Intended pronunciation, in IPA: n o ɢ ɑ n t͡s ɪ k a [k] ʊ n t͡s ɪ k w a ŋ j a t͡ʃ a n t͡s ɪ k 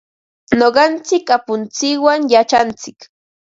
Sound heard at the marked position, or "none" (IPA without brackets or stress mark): p